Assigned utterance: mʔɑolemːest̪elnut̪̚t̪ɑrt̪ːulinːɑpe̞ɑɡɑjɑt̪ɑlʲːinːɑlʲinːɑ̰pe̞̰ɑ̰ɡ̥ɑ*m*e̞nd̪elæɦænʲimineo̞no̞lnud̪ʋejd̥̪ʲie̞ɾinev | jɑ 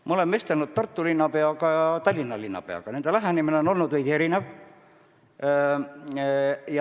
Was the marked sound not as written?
yes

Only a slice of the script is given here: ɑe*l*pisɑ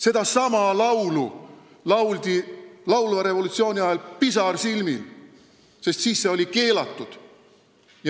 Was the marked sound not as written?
no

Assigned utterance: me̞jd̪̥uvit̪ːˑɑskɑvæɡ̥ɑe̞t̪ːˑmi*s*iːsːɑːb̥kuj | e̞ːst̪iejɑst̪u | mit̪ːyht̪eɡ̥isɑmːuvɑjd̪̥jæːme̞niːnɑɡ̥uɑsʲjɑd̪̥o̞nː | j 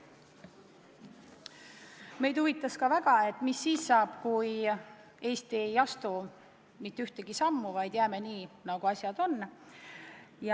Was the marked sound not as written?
yes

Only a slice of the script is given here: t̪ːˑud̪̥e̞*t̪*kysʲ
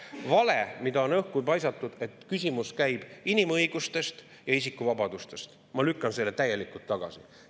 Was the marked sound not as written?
no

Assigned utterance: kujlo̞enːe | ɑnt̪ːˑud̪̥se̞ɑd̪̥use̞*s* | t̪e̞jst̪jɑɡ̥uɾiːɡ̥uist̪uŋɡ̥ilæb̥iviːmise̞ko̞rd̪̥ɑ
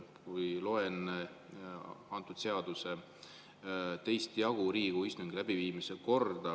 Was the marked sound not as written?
yes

